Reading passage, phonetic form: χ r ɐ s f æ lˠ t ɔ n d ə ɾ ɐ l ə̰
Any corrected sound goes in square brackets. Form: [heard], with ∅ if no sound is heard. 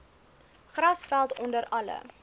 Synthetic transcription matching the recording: χ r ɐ s f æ lˠ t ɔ n d ə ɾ ɐ l ə̰